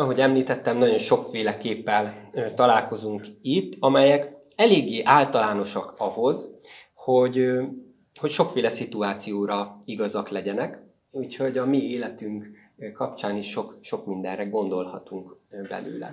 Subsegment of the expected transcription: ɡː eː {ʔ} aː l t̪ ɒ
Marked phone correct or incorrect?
correct